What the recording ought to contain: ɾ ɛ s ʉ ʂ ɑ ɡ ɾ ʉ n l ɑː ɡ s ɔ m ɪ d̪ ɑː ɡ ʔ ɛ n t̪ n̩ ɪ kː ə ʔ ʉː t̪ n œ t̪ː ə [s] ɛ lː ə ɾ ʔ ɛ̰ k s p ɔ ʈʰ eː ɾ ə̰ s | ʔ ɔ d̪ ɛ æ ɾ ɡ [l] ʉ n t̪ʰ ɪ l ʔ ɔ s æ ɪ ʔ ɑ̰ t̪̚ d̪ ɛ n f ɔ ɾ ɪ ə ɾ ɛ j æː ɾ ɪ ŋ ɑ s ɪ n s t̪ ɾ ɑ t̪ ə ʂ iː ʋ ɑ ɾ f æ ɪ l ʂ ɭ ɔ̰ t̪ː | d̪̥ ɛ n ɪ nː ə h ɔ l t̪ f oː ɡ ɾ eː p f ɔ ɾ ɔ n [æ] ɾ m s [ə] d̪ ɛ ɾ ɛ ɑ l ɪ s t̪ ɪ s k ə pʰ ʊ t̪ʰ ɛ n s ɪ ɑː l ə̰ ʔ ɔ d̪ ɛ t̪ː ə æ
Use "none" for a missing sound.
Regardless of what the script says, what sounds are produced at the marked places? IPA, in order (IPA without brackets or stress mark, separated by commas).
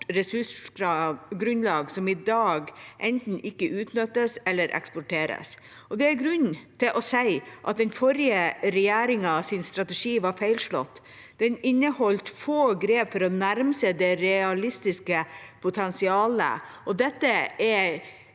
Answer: s, ɾ, æ, ə